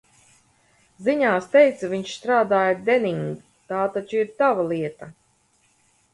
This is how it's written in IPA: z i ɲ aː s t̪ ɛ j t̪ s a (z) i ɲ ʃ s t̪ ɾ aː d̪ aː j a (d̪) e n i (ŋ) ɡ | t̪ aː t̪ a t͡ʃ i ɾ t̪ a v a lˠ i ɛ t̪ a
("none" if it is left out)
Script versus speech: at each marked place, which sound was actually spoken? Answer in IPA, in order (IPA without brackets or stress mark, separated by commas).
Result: v, d̪, ŋ